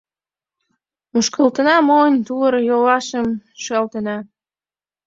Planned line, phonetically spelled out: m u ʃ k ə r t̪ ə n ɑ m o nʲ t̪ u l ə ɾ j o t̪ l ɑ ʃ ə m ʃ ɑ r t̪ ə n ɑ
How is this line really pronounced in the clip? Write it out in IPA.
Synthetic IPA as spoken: m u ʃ k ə l t̪ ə n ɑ m o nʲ t̪ u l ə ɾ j o l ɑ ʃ ə m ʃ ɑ l t̪ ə n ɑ